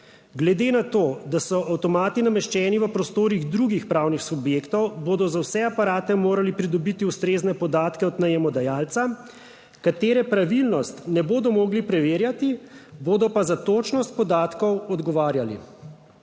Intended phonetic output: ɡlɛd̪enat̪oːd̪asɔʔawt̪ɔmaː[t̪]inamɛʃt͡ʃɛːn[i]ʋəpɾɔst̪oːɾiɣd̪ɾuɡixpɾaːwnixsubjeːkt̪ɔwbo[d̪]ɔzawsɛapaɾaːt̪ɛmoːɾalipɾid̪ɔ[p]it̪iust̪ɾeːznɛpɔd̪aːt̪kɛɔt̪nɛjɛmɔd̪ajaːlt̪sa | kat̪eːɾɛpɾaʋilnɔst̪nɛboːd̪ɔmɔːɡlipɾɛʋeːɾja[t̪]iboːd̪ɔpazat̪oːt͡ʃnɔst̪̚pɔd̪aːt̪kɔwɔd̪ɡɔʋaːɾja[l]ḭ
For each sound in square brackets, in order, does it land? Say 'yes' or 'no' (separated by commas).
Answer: yes, yes, yes, no, yes, yes